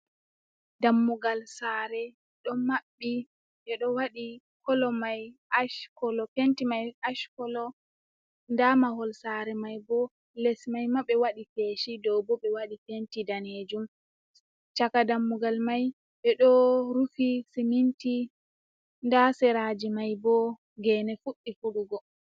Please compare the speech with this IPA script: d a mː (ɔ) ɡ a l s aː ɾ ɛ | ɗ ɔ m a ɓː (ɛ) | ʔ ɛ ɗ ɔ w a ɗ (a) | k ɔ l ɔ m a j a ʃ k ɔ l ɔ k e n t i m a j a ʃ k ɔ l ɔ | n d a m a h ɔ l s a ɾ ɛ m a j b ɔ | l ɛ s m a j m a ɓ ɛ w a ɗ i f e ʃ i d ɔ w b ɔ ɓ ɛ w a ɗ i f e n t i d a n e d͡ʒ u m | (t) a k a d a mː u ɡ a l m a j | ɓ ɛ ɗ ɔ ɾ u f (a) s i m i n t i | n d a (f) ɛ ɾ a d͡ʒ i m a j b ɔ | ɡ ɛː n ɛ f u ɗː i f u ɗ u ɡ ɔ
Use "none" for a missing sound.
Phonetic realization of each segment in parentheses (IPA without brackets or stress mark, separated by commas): u, i, i, t͡ʃ, i, s